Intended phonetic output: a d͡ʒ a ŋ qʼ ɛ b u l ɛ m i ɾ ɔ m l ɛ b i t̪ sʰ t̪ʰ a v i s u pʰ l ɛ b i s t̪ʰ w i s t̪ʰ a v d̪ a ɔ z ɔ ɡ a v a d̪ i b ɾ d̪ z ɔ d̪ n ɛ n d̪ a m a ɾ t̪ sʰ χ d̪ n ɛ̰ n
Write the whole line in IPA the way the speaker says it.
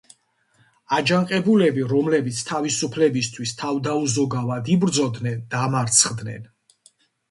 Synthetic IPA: a d͡ʒ a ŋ qʼ ɛ b u l ɛ b i ɾ ɔ m l ɛ b i t̪ sʰ t̪ʰ a v i s u pʰ l ɛ b i s t̪ʰ w i s t̪ʰ a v d̪ a u z ɔ ɡ a v a d̪ i b ɾ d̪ z ɔ d̪ n ɛ n d̪ a m a ɾ t̪ sʰ χ d̪ n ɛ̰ n